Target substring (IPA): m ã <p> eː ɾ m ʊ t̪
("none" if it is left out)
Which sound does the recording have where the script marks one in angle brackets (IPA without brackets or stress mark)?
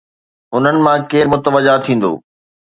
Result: k